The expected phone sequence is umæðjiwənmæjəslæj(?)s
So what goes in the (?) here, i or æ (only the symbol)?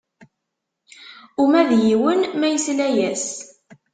æ